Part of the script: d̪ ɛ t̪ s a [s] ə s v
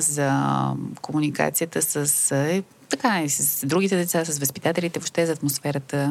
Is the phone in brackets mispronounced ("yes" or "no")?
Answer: no